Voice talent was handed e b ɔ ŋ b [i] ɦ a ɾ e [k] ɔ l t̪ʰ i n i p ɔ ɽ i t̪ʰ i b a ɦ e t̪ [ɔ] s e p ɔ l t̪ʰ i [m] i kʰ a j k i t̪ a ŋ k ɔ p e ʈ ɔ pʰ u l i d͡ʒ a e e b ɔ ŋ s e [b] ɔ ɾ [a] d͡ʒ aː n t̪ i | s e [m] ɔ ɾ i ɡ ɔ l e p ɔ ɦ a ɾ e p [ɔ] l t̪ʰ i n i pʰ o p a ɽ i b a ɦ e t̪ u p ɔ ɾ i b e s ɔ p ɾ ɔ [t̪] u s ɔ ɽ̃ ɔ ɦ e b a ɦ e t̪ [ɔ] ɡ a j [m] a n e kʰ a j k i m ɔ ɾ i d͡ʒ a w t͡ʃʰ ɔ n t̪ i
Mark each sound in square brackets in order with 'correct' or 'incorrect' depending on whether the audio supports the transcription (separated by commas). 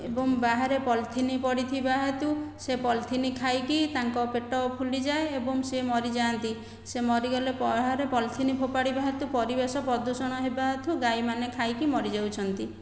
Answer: incorrect, incorrect, incorrect, incorrect, incorrect, incorrect, correct, correct, incorrect, incorrect, correct